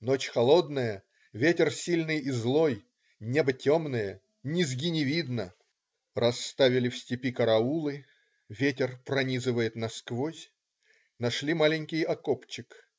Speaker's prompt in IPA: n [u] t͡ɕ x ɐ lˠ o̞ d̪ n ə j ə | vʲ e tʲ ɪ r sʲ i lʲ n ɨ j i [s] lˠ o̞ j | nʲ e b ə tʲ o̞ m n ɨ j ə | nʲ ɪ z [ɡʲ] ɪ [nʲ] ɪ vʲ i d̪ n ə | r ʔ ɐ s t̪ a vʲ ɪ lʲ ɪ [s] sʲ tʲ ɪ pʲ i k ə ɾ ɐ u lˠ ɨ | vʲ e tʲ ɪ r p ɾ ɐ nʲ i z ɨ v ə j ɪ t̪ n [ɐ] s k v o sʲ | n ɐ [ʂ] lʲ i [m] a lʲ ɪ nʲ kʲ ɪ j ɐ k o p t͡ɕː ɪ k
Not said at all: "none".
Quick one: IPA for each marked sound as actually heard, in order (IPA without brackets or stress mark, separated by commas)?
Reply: o, z, ɡʲ, nʲ, f, ɐ, ʂ, m